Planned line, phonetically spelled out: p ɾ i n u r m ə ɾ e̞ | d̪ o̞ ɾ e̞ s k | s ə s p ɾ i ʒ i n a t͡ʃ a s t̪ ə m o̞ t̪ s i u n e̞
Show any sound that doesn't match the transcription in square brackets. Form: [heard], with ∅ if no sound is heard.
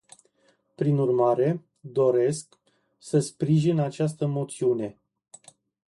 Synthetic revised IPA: p ɾ i n u r m [a] ɾ e̞ | d̪ o̞ ɾ e̞ s k | s ə s p ɾ i ʒ i n a t͡ʃ a s t̪ ə m o̞ t̪ s i u n e̞